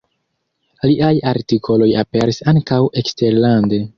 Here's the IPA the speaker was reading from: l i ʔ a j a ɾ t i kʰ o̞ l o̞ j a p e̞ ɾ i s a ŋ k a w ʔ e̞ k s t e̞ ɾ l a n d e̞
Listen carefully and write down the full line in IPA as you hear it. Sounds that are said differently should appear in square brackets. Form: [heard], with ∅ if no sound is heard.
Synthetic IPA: l i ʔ a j a ɾ t i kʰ o̞ l o̞ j a p e̞ ɾ i s a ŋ k a w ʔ e̞ k s t e̞ ɾ l a n d e̞